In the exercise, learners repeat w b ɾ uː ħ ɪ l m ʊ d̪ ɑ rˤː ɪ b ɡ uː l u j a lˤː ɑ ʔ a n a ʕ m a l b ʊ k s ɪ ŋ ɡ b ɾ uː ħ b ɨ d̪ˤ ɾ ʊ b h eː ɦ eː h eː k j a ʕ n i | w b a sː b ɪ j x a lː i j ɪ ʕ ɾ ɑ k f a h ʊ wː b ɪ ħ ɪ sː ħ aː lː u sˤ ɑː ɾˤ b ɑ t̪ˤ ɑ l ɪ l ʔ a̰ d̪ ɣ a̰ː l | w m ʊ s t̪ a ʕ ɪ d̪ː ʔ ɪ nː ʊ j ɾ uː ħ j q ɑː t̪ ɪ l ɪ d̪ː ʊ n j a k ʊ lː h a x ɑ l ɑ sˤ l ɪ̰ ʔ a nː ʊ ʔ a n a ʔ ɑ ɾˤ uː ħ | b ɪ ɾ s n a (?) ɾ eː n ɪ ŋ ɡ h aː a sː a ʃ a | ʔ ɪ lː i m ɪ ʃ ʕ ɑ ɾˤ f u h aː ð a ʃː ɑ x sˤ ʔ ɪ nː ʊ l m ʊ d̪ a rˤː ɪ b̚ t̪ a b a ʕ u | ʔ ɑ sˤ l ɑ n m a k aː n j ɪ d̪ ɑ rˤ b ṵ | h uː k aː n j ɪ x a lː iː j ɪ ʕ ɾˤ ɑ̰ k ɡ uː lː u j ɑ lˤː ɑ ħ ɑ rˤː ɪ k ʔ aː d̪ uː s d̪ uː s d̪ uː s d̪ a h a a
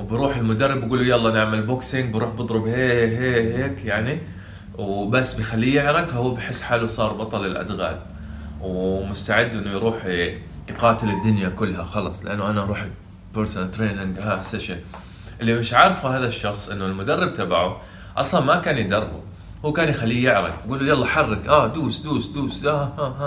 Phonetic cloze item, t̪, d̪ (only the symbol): t̪